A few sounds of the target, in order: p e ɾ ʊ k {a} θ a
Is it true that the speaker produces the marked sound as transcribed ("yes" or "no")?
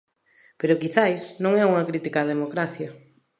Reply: no